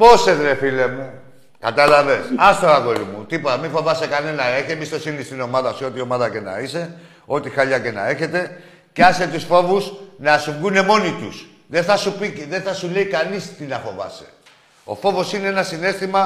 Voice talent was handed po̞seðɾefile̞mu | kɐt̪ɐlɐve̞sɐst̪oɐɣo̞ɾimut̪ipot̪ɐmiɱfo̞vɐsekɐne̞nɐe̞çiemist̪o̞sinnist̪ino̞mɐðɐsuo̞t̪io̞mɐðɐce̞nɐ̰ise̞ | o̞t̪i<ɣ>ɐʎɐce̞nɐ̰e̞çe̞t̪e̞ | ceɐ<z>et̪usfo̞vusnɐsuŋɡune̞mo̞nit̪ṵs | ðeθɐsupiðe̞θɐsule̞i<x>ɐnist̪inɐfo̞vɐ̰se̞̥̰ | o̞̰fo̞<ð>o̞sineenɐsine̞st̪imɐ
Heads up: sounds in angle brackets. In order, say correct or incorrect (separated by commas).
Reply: incorrect, incorrect, incorrect, incorrect